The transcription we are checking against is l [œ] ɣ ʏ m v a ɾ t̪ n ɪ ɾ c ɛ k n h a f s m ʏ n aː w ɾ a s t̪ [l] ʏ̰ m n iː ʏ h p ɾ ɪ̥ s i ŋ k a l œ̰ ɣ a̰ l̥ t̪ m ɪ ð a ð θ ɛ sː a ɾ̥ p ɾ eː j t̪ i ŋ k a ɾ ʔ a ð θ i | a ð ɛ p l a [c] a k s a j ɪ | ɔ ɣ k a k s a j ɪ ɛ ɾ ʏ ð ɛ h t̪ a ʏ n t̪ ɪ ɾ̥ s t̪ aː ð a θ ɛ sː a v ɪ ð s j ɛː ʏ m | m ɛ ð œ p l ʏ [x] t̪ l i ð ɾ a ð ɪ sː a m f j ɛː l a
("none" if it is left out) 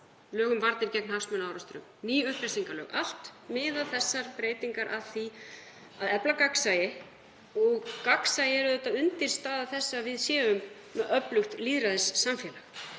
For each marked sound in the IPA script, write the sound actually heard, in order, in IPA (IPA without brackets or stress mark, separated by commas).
œː, ɾ, k, x